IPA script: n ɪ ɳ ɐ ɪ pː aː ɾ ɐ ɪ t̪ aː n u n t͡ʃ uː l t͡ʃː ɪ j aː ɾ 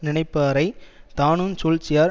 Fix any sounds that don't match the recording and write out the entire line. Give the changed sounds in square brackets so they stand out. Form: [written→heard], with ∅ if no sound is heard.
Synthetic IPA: n ɪ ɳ ɐ ɪ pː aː ɾ ɐ ɪ t̪ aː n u n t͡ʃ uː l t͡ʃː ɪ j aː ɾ